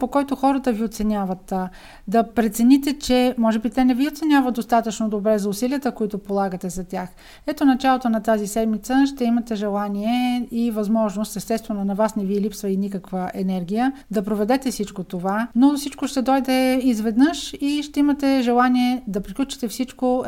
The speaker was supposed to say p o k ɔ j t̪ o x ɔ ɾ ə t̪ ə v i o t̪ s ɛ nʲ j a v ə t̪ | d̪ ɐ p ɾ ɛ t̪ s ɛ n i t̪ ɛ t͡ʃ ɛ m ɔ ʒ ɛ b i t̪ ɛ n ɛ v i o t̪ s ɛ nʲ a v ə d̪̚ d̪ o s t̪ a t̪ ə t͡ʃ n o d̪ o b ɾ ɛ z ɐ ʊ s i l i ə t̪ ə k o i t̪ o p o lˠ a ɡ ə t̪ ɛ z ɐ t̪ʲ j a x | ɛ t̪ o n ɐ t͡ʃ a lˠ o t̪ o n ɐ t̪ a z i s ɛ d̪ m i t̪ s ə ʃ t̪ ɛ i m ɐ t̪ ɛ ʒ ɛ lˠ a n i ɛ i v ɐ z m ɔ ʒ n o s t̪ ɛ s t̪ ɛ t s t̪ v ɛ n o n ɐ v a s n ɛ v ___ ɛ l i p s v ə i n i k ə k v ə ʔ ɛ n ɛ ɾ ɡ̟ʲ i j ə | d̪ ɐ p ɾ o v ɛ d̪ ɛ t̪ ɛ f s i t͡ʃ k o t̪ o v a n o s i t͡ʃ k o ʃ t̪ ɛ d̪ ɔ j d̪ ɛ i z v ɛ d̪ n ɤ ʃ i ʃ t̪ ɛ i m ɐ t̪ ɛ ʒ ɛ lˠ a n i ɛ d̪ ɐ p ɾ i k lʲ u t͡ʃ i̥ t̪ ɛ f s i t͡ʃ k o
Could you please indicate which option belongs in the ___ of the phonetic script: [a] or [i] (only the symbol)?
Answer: i